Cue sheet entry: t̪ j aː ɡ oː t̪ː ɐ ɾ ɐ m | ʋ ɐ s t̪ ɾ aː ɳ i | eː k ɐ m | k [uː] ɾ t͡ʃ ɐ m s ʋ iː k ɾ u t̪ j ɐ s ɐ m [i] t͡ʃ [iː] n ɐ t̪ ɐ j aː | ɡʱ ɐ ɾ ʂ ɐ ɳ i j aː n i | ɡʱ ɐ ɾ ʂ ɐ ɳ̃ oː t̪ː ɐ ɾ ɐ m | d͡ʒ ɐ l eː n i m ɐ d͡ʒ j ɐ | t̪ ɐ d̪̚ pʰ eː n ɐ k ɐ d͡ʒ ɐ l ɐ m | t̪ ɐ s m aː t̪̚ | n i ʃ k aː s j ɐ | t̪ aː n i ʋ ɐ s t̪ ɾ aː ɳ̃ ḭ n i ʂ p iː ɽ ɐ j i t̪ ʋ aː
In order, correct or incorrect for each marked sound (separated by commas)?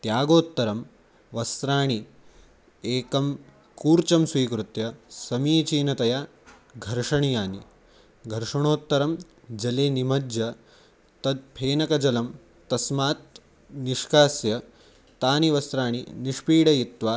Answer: correct, incorrect, correct